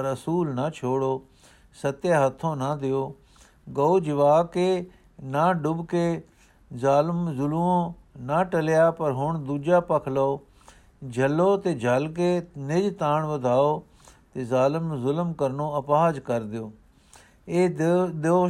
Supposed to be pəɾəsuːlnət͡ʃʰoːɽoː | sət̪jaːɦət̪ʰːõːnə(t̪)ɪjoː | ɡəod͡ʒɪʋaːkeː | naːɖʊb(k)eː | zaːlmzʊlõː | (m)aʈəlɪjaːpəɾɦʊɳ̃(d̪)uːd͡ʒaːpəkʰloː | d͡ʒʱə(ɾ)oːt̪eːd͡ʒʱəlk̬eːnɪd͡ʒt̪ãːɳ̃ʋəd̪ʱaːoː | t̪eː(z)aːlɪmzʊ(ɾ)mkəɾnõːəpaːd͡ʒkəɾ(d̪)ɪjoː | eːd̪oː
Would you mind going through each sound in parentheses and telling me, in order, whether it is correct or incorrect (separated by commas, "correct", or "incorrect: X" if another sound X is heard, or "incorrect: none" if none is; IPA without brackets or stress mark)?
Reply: incorrect: d̪, correct, incorrect: n, correct, incorrect: l, correct, incorrect: l, correct